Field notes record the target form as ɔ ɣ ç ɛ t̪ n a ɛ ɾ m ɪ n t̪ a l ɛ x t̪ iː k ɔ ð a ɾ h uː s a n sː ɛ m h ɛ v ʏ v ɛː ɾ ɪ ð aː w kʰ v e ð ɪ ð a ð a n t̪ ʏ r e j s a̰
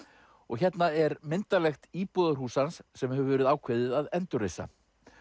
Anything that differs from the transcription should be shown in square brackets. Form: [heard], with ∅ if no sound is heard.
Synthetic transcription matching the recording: ɔ ɣ ç ɛ t̪ n a ɛ ɾ m ɪ n t̪ a l ɛ x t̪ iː [p] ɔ ð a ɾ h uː s a n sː ɛ m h ɛ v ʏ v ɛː ɾ ɪ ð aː w kʰ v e ð ɪ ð a ð [ɛ] n t̪ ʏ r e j s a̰